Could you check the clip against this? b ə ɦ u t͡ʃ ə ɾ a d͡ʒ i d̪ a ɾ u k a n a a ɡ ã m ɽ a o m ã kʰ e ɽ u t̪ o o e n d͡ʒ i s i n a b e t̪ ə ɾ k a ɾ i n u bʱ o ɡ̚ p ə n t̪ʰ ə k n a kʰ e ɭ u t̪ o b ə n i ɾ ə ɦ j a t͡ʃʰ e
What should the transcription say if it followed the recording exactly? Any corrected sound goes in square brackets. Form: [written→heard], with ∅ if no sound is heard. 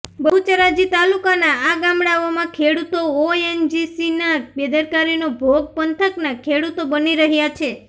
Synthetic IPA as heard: b ə ɦ u t͡ʃ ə ɾ a d͡ʒ i [d̪→t̪] a [ɾ→l] u k a n a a ɡ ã m ɽ a o m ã kʰ e ɽ u t̪ o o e n d͡ʒ i s i n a b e [t̪→d̪] ə ɾ k a ɾ i n [u→o] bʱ o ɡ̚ p ə n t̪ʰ ə k n a kʰ e [ɭ→ɽ] u t̪ o b ə n i ɾ ə ɦ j a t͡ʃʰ e